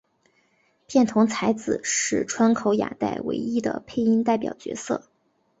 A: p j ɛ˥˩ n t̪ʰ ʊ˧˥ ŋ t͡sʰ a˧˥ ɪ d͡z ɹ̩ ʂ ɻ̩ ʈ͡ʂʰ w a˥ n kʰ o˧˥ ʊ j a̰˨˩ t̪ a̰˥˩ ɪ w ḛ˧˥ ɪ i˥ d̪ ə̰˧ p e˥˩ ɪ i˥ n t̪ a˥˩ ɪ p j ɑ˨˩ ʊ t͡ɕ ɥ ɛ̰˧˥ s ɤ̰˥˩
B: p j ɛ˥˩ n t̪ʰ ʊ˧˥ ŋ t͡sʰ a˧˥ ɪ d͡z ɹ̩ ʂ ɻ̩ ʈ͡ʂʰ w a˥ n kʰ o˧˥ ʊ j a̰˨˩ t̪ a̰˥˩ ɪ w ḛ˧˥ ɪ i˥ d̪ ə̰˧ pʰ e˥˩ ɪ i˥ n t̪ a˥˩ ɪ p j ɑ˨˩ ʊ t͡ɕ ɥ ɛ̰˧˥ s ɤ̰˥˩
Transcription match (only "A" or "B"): B